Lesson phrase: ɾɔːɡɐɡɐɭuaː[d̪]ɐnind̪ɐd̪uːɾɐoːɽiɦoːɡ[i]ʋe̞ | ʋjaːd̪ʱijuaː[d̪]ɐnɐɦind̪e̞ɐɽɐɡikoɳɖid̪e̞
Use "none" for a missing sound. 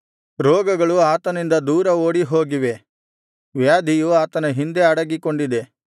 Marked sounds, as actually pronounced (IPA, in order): t̪, i, t̪

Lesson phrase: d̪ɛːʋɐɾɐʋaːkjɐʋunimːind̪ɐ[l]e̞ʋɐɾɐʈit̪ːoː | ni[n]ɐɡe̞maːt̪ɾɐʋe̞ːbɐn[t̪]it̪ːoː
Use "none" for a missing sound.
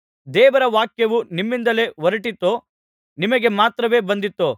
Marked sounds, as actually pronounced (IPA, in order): l, m, d̪

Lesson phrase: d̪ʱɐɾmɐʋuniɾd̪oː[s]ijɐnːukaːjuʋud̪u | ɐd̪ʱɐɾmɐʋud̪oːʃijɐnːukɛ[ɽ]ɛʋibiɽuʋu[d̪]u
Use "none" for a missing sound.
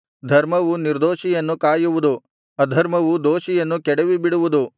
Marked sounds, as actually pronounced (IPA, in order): ʃ, ɽ, d̪

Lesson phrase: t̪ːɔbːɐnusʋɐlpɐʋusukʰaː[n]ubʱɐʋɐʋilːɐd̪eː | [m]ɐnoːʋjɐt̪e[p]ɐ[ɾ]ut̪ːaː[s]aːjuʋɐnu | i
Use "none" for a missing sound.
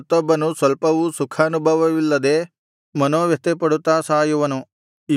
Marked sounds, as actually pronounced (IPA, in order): n, m, p, ɽ, s

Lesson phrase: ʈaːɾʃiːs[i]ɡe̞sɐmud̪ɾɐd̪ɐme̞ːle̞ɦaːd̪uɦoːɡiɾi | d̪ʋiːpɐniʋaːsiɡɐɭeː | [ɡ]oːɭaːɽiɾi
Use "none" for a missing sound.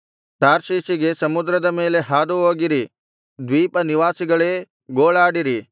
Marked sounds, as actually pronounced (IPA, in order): i, ɡ

